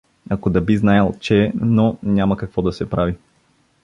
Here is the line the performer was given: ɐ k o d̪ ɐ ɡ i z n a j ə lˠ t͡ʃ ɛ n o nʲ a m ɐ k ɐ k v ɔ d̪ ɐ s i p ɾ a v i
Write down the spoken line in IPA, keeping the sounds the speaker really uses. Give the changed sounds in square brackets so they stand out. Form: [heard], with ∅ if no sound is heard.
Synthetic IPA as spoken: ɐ k o d̪ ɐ [b] i z n a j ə lˠ t͡ʃ ɛ n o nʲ a m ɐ k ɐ k v ɔ d̪ ɐ s [ɛ] p ɾ a v i